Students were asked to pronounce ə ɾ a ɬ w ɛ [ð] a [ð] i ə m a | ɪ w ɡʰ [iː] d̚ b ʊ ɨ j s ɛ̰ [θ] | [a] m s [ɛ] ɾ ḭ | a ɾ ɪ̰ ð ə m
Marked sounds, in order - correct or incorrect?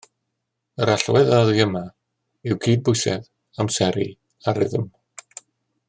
correct, correct, correct, incorrect, correct, correct

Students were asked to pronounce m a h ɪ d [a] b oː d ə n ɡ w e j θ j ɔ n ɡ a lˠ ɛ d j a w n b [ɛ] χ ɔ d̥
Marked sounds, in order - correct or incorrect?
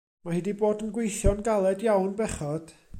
incorrect, correct

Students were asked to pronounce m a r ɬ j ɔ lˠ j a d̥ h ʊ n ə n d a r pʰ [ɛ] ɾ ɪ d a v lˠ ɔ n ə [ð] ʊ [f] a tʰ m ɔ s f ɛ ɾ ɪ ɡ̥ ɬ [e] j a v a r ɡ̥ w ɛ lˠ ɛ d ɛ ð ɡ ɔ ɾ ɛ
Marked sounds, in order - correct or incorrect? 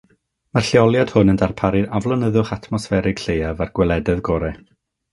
incorrect, correct, incorrect, correct

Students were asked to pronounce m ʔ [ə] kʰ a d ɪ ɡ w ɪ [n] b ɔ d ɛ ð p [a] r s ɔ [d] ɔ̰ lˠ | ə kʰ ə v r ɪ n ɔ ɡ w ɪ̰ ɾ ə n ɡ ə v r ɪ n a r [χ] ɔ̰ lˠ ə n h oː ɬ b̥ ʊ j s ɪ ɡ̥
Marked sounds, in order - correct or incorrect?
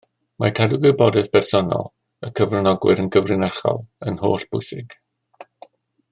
incorrect, incorrect, incorrect, incorrect, correct

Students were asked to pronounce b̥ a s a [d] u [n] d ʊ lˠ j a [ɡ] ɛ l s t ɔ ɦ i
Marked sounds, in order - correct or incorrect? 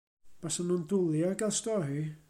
incorrect, correct, correct

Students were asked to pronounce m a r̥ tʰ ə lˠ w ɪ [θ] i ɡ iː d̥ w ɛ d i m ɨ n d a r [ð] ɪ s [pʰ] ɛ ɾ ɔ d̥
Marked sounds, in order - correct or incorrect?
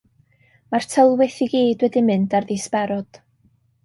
correct, correct, incorrect

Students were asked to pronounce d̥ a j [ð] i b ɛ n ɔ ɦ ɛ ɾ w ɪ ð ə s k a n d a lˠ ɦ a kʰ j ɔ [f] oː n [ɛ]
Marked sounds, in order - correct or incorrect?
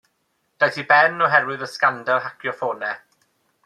incorrect, correct, correct

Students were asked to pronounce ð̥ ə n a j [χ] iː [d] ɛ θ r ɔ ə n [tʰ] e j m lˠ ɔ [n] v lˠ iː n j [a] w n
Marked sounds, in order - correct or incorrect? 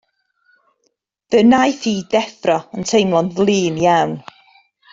incorrect, correct, correct, correct, correct

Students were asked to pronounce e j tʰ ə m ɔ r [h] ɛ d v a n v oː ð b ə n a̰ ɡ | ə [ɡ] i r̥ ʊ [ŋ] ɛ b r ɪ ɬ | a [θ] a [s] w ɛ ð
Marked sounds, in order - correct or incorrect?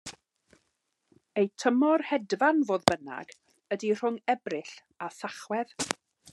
correct, incorrect, correct, correct, incorrect

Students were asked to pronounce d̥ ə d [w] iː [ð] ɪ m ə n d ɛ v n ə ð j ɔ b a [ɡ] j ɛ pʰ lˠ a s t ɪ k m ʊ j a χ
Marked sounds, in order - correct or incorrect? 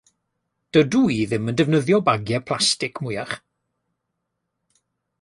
incorrect, correct, correct

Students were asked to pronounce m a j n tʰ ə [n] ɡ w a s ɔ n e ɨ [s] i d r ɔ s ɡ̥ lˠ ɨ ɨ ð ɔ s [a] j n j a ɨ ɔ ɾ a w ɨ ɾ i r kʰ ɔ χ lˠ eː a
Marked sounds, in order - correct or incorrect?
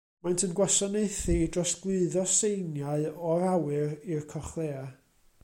correct, incorrect, incorrect

